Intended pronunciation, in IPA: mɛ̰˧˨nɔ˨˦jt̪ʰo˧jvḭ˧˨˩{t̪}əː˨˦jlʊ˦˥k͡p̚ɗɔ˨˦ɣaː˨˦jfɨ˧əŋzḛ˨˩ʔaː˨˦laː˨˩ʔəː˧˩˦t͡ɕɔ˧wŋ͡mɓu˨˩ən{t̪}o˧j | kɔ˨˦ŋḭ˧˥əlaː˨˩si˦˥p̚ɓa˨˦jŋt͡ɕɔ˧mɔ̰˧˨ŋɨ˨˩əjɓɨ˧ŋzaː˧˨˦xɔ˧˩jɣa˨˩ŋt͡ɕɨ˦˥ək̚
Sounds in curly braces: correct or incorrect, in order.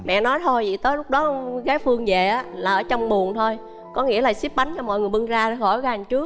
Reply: correct, incorrect: t̪ʰ

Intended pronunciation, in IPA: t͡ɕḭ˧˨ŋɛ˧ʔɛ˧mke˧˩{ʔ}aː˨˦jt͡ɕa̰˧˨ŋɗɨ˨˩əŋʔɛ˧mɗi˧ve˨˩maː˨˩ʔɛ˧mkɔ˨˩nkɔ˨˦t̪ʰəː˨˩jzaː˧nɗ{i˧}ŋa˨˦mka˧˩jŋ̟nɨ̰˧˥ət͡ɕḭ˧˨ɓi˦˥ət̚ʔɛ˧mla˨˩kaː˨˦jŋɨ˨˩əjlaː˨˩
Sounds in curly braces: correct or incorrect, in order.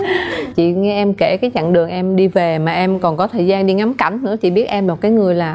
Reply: incorrect: k, correct

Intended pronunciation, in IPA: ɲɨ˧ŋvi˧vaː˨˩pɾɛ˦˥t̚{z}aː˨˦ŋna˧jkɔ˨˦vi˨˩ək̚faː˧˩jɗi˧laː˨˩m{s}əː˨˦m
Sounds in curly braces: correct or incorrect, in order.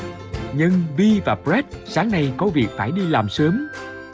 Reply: incorrect: s, correct

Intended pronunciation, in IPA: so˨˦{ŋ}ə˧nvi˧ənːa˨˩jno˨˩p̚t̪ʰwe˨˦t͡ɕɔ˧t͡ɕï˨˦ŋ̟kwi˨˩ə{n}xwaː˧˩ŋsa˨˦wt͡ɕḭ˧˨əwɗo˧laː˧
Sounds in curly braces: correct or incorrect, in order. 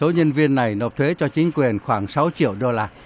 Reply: incorrect: ɲ, correct

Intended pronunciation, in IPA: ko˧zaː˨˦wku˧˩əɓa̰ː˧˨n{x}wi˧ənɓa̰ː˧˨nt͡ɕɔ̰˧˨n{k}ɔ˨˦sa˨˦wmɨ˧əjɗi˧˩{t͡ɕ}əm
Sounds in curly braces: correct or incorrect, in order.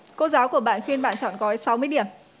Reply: correct, correct, incorrect: none

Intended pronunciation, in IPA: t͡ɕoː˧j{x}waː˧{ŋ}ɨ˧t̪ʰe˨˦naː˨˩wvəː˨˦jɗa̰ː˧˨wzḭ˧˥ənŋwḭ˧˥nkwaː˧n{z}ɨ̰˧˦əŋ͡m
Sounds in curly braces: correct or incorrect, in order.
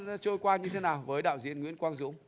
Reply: incorrect: k, incorrect: ɲ, correct

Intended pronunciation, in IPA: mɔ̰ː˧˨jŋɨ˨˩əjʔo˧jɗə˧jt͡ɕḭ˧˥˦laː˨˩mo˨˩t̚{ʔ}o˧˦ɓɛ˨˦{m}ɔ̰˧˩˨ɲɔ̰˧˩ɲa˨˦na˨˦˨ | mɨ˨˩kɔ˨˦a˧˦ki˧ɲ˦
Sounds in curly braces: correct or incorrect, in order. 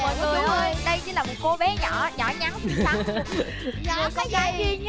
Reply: incorrect: k, incorrect: ɲ

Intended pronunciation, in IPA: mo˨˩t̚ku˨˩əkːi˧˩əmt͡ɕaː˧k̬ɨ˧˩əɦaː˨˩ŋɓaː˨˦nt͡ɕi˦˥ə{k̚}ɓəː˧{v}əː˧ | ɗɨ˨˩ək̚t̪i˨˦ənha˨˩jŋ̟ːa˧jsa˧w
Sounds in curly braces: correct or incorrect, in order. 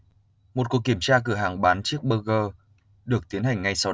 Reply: correct, incorrect: ɣ

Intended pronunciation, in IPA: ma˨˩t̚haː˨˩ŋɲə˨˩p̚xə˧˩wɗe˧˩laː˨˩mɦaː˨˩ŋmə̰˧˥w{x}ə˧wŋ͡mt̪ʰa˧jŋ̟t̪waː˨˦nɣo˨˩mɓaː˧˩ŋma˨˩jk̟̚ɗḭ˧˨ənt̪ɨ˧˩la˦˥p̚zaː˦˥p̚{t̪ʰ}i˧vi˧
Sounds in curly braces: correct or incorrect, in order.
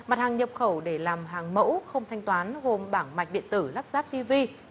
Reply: correct, incorrect: t̪

